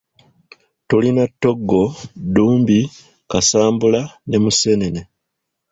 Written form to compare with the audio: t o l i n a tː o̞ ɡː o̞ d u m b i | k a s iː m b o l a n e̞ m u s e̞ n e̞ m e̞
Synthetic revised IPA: t o l i n a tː o̞ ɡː o̞ d uː m b i | k a s aː m b u l a n e̞ m u s e̞ n e̞ n e̞